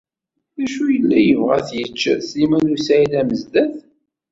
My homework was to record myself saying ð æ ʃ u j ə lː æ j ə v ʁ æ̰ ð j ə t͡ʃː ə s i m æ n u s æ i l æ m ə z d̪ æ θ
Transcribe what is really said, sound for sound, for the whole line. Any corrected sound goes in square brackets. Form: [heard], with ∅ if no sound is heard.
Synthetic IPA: ð æ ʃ u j ə lː æ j ə v ʁ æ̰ [θ] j ə t͡ʃː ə s i m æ n u s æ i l æ m ə z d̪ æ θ